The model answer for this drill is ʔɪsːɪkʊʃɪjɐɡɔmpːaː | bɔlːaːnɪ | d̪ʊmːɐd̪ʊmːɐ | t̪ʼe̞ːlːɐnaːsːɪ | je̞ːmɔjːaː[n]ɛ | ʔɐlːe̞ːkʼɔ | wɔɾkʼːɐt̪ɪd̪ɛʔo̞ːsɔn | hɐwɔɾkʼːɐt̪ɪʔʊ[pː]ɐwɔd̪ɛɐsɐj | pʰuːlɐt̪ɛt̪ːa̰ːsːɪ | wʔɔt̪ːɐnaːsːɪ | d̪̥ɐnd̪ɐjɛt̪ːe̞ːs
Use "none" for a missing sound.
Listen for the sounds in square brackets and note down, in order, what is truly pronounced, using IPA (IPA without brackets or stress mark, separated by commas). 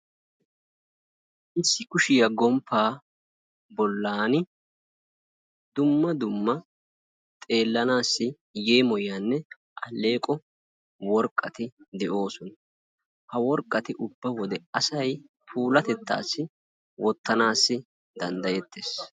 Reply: nː, bː